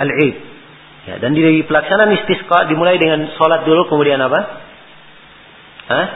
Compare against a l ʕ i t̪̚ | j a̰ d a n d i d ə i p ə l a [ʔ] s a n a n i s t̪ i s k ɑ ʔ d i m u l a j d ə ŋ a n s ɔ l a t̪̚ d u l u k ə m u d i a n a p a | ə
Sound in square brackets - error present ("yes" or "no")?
yes